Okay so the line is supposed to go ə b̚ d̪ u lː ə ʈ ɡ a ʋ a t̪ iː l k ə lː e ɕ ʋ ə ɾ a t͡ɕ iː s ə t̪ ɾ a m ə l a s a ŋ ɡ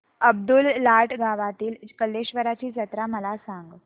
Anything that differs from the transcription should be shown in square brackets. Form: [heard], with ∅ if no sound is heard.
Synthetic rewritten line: ə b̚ d̪ u lː [a] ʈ ɡ a ʋ a t̪ iː l k ə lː e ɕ ʋ ə ɾ a t͡ɕ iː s ə t̪ ɾ a m ə l a s a ŋ ɡ